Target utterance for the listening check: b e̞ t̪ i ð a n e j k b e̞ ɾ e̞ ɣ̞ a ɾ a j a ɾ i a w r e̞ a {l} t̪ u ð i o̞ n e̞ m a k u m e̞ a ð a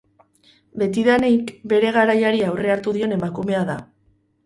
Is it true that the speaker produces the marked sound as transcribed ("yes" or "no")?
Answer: no